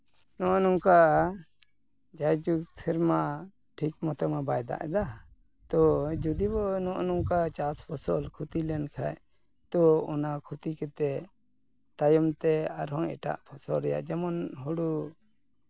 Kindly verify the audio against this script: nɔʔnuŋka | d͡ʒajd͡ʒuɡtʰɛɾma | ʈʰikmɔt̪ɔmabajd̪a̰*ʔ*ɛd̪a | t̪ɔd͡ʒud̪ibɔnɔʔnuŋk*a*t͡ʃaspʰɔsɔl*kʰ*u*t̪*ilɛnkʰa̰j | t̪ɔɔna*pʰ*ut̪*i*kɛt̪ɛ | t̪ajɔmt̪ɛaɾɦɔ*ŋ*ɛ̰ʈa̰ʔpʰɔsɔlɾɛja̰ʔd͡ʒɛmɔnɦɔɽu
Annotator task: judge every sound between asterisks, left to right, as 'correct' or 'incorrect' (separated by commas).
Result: correct, correct, correct, correct, incorrect, correct, correct